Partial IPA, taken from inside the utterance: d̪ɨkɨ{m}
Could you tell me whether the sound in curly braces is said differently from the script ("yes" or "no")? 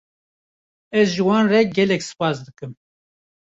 no